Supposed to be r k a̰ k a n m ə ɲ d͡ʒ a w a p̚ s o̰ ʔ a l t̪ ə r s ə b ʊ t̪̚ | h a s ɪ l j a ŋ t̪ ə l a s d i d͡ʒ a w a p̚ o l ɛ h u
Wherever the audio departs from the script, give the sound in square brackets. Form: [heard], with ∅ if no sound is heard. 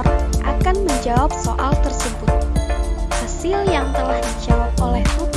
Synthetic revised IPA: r [ʔ] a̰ k a n m ə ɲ d͡ʒ a w a p̚ s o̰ ʔ a l t̪ ə r s ə b ʊ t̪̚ | h a s ɪ l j a ŋ t̪ ə l a [h] d i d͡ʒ a w a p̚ o l ɛ h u